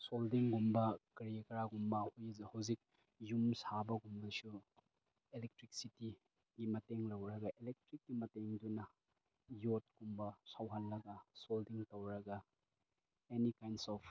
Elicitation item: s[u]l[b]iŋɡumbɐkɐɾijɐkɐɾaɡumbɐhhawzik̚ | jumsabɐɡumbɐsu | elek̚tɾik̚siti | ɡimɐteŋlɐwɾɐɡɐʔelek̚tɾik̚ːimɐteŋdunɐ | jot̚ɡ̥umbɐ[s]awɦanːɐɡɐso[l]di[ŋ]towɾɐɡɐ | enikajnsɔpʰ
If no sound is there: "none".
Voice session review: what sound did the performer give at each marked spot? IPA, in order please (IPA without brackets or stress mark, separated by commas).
o, d, s, l, ŋ